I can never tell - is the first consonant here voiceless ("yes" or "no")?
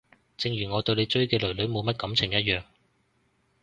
yes